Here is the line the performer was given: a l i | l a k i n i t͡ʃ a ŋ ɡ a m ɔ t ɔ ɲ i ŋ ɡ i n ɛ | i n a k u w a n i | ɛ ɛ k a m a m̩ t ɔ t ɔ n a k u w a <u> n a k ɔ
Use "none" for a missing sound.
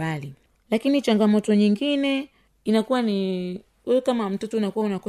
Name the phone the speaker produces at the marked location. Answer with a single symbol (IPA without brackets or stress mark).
u